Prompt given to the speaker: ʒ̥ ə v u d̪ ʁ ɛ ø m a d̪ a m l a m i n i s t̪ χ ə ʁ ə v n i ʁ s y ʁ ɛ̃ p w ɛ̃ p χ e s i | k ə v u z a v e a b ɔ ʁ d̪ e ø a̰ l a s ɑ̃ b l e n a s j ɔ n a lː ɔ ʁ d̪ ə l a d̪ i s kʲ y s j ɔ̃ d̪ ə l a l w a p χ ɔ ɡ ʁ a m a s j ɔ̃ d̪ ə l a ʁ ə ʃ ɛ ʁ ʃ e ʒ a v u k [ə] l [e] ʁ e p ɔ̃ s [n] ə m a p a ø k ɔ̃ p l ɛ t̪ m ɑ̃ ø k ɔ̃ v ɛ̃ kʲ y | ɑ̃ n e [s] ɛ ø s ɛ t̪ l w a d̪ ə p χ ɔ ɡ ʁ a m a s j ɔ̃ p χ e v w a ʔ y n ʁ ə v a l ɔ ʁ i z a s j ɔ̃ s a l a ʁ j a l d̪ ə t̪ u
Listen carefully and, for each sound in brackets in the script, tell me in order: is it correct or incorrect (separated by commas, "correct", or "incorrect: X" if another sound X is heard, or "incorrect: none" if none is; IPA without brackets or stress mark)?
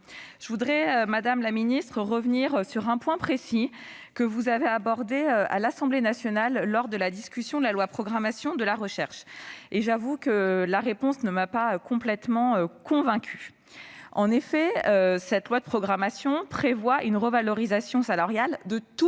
correct, incorrect: a, correct, incorrect: f